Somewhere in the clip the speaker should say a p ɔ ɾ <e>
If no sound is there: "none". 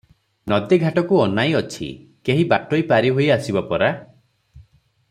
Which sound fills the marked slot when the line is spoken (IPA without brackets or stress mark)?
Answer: a